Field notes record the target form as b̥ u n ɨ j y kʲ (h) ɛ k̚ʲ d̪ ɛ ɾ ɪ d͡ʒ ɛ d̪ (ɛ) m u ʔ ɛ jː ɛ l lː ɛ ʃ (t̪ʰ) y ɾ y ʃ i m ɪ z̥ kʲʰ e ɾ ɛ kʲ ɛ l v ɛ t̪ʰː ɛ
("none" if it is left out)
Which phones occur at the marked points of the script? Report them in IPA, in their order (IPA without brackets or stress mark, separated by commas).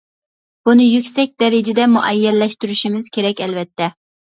s, ɛ, t̪